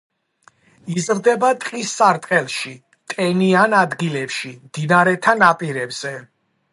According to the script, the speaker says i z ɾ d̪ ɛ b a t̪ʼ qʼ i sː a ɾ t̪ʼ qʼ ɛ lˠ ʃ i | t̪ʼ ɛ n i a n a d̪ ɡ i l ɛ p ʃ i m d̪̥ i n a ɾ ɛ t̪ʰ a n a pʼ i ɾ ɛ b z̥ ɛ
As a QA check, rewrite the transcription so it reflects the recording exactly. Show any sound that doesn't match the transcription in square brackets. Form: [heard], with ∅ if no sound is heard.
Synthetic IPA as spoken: i z ɾ d̪ ɛ b a t̪ʼ qʼ i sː a ɾ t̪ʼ qʼ ɛ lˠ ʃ i | t̪ʼ ɛ n i a n a d̪ ɡ i l ɛ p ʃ i m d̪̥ i n a ɾ ɛ t̪ʰ a n a pʼ i ɾ ɛ b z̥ ɛ